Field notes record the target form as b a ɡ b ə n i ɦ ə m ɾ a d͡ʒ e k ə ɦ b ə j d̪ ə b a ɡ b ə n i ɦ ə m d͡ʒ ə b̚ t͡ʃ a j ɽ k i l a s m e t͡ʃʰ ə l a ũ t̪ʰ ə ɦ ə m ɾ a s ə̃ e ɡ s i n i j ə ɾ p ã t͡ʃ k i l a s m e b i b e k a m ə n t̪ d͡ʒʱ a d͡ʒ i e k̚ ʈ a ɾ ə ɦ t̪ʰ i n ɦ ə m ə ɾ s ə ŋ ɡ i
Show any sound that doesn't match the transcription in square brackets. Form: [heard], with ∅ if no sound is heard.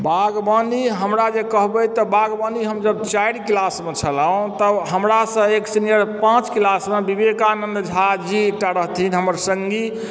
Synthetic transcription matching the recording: b a ɡ b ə n i ɦ ə m ɾ a d͡ʒ e k ə ɦ b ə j [t̪] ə b a ɡ b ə n i ɦ ə m d͡ʒ ə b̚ t͡ʃ a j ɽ k i l a s m e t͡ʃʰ ə l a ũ [t̪] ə ɦ ə m ɾ a s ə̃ e [k] s i n i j ə ɾ p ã t͡ʃ k i l a s m e b i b e k a [n] ə n [d̪] d͡ʒʱ a d͡ʒ i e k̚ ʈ a ɾ ə ɦ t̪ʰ i n ɦ ə m ə ɾ s ə ŋ ɡ i